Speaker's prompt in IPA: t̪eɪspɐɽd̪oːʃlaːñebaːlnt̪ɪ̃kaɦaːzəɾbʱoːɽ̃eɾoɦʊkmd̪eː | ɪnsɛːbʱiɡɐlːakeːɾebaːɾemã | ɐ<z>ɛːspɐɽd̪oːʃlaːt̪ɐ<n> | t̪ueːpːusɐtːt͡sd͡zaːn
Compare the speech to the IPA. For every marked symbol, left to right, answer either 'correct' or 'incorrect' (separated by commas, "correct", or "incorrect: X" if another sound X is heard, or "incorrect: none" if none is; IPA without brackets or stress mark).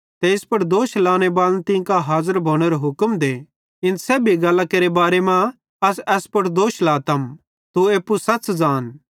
incorrect: s, incorrect: m